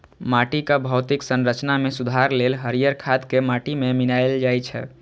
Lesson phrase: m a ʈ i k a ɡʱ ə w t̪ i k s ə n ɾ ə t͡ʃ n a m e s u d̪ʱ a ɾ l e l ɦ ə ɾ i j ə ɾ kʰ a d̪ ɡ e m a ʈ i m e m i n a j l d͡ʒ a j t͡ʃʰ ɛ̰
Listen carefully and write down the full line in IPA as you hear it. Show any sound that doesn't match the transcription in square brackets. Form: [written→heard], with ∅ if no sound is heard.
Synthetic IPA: m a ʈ i k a [ɡʱ→bʱ] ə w t̪ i k s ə n ɾ ə t͡ʃ n a m e s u d̪ʱ a ɾ l e l ɦ ə ɾ i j ə ɾ kʰ a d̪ [ɡ→k] e m a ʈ i m e m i n a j l d͡ʒ a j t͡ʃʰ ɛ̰